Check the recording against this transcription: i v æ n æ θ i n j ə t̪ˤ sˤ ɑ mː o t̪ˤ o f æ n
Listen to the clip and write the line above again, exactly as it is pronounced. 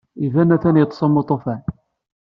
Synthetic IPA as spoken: i v æ n æ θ æ n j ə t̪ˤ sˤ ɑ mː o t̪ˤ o f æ n